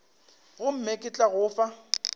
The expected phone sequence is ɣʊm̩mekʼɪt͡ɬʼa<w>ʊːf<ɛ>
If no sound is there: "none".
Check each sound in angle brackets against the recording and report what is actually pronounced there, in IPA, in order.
ɣ, a

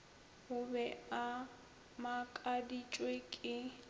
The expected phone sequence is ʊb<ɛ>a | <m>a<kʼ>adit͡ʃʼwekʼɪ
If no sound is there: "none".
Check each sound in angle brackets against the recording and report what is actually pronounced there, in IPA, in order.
ɛ, m, kʼ

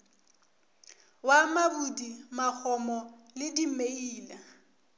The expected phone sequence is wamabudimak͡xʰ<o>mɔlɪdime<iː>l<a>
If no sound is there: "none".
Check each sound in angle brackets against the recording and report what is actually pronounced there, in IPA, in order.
ɔ, iː, a

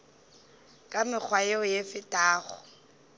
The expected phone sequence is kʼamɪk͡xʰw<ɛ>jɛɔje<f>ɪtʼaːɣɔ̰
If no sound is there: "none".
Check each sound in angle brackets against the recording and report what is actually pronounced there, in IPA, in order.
a, f

